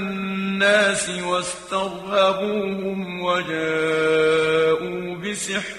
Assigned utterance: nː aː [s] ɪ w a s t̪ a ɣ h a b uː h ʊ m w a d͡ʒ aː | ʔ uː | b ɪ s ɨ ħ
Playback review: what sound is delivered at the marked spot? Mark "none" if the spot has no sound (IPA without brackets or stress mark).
s